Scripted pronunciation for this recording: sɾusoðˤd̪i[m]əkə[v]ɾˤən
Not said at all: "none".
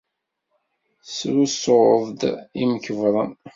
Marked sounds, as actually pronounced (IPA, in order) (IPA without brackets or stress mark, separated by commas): m, v